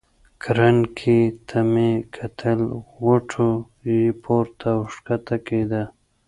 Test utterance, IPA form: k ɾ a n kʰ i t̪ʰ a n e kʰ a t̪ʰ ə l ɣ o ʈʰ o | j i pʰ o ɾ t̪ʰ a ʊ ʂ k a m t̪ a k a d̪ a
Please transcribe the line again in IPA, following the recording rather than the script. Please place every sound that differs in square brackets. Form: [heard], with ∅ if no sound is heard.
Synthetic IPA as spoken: k ɾ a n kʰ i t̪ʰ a [m] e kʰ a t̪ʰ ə l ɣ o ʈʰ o | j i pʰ o ɾ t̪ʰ a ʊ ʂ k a [∅] t̪ a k [e] d̪ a